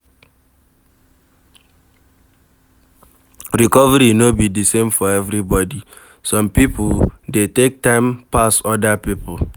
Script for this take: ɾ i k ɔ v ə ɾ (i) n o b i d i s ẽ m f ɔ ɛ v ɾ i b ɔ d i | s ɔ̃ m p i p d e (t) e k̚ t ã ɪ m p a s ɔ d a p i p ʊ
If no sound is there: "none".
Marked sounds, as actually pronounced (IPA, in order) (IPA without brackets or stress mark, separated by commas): i, t